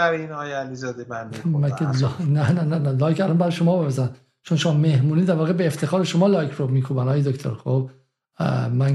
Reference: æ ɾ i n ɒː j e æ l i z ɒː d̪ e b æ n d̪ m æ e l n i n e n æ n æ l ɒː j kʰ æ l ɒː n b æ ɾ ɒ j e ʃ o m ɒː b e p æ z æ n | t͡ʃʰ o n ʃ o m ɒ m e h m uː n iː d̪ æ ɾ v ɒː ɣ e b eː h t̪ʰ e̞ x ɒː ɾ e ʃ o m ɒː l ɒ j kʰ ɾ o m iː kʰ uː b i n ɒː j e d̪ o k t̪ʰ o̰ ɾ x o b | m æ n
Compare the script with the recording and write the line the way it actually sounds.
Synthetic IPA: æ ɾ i n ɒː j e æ l i z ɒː d̪ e b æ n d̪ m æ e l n æ n æ n æ n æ l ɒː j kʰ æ l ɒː n b æ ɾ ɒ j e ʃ o m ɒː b e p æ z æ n | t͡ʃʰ o n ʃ o m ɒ m e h m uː n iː d̪ æ ɾ v ɒː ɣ e b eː f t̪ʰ e̞ x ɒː ɾ e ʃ o m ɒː l ɒ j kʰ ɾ o m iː kʰ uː b æ n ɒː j e d̪ o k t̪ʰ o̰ ɾ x o b | m æ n